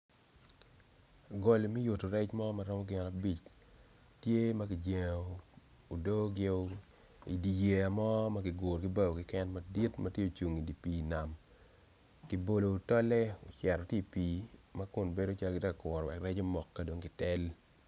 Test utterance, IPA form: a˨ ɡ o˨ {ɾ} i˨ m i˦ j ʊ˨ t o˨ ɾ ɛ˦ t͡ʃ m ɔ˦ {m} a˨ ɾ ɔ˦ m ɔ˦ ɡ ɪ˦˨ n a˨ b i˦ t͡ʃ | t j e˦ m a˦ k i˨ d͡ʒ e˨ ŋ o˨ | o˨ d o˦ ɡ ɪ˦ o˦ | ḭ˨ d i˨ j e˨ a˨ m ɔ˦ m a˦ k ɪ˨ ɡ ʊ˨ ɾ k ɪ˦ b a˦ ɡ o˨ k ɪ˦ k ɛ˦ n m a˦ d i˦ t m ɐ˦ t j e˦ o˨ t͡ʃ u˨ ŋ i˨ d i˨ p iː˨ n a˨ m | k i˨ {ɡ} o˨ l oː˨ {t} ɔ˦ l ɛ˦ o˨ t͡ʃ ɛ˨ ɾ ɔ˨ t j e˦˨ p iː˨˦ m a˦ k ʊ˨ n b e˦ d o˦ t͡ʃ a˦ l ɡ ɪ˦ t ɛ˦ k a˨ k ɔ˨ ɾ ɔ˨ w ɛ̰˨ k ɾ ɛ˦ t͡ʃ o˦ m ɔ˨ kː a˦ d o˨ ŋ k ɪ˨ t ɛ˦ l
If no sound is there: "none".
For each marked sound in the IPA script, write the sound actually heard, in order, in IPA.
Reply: l, m, b, t

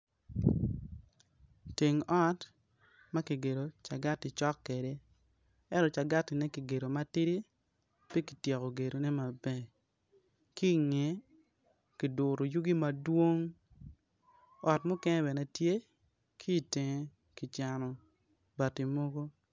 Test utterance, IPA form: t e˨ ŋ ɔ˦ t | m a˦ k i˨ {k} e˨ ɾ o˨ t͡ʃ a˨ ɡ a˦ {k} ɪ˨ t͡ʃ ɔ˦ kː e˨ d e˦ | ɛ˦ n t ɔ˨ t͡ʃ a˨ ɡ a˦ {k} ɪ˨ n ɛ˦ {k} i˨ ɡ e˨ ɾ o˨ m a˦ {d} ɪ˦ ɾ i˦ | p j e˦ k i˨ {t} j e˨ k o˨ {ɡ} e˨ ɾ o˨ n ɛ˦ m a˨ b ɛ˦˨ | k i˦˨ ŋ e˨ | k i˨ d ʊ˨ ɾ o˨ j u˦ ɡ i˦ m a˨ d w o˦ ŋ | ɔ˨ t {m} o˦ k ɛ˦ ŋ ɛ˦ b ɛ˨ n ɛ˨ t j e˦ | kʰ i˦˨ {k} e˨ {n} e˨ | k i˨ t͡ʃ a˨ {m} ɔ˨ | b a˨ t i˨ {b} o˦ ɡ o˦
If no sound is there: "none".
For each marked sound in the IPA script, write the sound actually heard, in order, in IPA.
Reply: ɡ, t, t, k, t, t, ɡ, m, t, ŋ, n, m

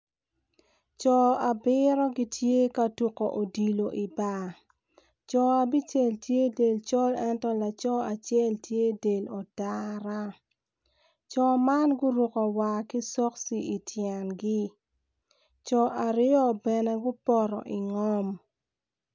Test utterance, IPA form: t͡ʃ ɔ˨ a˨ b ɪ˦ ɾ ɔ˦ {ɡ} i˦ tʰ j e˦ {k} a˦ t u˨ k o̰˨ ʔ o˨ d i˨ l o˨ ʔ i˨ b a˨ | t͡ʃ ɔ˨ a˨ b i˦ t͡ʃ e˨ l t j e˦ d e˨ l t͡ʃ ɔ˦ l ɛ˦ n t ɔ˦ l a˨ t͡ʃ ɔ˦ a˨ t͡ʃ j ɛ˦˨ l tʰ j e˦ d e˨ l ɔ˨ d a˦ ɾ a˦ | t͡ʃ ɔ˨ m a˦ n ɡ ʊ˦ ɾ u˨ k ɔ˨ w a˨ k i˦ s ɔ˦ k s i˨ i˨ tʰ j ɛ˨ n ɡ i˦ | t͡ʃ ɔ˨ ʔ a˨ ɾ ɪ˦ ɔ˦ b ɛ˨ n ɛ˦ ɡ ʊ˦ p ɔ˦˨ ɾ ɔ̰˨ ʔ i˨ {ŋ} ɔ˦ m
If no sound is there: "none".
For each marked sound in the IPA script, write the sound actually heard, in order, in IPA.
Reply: ɡ, k, ŋ

